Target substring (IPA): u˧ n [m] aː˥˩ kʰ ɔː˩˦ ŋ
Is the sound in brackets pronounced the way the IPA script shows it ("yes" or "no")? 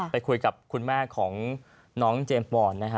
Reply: yes